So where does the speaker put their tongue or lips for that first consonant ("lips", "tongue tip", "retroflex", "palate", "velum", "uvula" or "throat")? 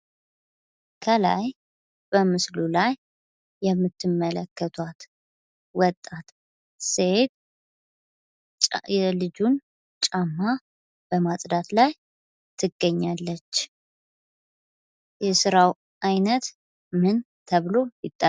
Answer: velum